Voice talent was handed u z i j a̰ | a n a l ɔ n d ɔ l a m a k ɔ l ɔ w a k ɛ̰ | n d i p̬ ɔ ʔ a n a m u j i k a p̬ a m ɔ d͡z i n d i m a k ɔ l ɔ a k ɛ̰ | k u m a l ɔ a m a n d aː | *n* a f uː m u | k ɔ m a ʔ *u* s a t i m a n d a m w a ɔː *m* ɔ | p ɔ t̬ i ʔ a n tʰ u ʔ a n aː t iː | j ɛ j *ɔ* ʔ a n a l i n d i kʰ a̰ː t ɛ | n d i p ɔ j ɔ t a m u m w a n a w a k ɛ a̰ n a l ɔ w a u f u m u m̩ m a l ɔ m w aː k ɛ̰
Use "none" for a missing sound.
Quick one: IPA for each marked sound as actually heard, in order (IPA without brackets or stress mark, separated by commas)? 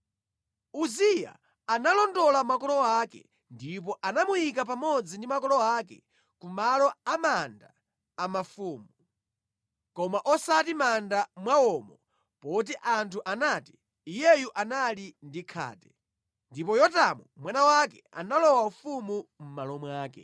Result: m, ɔ, m, u